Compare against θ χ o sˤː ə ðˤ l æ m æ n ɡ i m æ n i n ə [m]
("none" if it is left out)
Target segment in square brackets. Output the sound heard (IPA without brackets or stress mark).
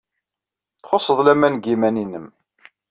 m